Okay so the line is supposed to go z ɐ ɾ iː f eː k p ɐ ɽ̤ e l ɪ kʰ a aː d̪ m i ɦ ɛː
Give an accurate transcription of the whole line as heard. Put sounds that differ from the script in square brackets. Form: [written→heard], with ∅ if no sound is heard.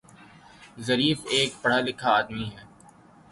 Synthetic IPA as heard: z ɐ ɾ iː f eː k p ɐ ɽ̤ [e→a] l ɪ kʰ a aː d̪ m i ɦ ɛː